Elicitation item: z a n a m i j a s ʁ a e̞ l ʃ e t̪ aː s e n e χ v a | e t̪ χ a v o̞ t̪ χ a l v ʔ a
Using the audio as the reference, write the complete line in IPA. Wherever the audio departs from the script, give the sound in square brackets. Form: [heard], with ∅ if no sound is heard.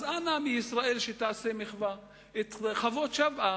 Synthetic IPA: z a n a m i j [i] s ʁ a e̞ l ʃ e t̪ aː s e [m] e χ v a | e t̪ χ a v o̞ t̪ [ʃ] a [∅] v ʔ a

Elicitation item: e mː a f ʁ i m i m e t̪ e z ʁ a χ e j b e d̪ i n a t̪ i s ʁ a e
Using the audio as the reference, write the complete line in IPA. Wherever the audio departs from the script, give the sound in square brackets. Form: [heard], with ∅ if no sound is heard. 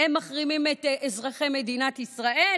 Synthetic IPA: e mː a [χ] ʁ i m i m e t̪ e z ʁ a χ e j [m] e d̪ i n a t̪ i s ʁ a e

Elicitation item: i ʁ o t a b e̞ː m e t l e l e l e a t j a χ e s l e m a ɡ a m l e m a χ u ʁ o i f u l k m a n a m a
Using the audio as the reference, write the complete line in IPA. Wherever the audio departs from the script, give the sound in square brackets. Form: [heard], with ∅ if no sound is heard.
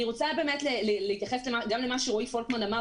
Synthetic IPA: i ʁ o [t͡s] a b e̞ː m e t l e l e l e [i] t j a χ e s l e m a ɡ a m l e m a [ʃ] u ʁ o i f [o] l k m a n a m a

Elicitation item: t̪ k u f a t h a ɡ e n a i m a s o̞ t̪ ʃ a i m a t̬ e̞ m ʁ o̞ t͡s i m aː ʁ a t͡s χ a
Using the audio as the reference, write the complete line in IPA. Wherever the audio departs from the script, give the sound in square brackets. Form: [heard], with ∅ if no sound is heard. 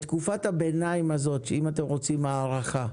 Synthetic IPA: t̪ k u f a t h a [b] e n a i m a [z] o̞ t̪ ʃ [e] i m a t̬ e̞ m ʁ o̞ t͡s i m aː ʁ a [∅] χ a

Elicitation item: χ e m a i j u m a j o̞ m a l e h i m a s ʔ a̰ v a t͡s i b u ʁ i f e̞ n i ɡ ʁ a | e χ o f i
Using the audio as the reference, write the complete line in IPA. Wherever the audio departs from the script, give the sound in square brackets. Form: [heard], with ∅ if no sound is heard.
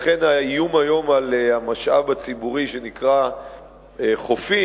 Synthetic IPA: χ e [n] a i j u m a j o̞ m a l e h [a] m a [ʃ] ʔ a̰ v a t͡s i b u ʁ i [ʃ] e̞ n i [k] ʁ a | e χ o f i

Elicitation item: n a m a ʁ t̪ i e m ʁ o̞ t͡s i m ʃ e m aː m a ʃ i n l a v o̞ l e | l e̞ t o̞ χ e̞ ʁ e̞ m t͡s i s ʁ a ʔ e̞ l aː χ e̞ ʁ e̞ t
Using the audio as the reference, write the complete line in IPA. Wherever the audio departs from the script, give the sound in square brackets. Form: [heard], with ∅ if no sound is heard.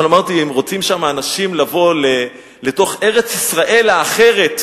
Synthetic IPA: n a m a ʁ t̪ i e m ʁ o̞ t͡s i m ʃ [a] m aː [n] a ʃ i [m] l a v o̞ l e | l e̞ t o̞ χ e̞ ʁ e̞ [∅] t͡s i s ʁ a ʔ e̞ l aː χ e̞ ʁ e̞ t

